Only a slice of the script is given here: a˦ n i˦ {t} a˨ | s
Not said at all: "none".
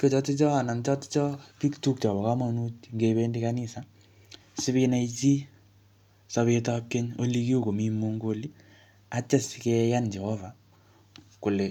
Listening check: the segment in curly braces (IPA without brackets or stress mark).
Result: s